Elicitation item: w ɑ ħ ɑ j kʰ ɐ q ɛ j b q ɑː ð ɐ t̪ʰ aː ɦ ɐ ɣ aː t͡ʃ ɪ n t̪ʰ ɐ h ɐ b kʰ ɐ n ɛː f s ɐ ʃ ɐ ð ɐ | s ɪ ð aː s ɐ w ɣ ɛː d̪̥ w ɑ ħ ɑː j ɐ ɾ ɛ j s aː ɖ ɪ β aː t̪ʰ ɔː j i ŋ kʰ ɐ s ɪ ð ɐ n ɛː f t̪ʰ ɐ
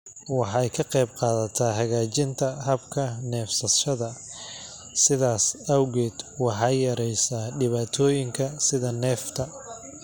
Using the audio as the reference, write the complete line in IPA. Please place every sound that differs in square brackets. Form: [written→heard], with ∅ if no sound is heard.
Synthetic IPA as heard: w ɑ ħ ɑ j kʰ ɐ q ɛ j b q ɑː ð ɐ t̪ʰ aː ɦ ɐ ɣ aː t͡ʃ ɪ n t̪ʰ ɐ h ɐ b kʰ ɐ n ɛː f s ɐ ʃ ɐ ð ɐ | s ɪ ð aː s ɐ w ɣ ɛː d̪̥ w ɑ ħ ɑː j ɐ ɾ ɛ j s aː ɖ ɪ β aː t̪ʰ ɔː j [i→ɪ] ŋ kʰ ɐ s ɪ ð ɐ n ɛː f t̪ʰ ɐ